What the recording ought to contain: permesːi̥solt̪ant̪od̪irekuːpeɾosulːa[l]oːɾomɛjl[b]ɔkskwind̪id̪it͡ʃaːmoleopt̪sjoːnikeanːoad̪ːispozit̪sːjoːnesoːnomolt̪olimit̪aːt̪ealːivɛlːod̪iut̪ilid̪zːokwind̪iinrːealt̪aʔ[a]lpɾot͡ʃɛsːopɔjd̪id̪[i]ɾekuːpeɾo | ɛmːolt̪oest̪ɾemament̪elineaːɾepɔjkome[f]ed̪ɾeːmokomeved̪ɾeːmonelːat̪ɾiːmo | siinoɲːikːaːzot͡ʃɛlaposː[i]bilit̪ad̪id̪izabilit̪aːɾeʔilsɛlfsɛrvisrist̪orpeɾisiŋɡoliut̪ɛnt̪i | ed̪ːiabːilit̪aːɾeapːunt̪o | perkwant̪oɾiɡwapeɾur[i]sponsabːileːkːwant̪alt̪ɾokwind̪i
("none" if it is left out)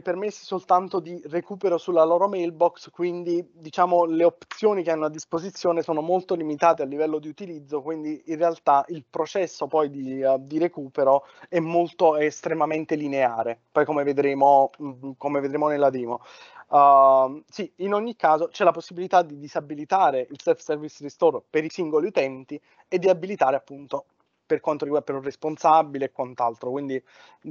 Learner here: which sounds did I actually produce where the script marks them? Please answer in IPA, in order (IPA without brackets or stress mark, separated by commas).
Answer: l, b, i, i, v, i, e